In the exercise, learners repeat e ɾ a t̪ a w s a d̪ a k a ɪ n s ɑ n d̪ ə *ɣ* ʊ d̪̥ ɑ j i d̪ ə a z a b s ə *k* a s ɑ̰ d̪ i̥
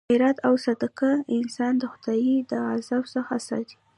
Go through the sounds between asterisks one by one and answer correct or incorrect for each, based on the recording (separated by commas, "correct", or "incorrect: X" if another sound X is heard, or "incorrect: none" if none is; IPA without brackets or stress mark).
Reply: incorrect: x, incorrect: x